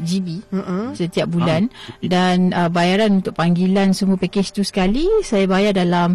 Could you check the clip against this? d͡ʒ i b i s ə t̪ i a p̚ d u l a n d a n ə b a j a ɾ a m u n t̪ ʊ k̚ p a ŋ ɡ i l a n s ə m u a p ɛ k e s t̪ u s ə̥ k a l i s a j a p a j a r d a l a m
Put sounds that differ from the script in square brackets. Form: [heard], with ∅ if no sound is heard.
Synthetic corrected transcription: d͡ʒ i b i s ə t̪ i a p̚ [b] u l a n d a n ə b a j a ɾ a [n] u n t̪ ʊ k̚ p a ŋ ɡ i l a n s ə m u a p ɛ k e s t̪ u s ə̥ k a l i s a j a [b] a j a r d a l a m